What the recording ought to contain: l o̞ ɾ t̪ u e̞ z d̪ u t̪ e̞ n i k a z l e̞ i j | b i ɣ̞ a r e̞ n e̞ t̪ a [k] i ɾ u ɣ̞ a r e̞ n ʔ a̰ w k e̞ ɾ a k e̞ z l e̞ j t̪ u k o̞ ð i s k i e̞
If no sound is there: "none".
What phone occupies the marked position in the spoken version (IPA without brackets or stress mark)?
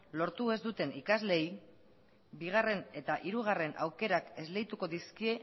ʔ